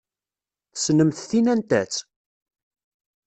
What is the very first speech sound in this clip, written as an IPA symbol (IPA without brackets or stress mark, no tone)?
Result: θ